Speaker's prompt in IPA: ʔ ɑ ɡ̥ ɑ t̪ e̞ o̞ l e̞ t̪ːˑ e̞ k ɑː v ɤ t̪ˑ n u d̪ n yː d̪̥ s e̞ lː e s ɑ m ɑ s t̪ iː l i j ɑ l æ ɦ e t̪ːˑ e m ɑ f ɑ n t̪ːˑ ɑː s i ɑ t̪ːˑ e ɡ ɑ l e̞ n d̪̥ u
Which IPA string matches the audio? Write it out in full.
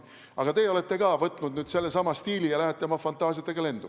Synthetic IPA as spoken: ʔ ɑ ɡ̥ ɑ t̪ e̞ o̞ l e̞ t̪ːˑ e̞ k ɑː v ɤ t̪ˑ n u d̪ n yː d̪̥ s e̞ lː e s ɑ m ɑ s t̪ iː l i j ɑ l æ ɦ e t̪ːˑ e m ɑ f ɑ n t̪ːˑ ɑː s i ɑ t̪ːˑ e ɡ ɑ l e̞ n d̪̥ u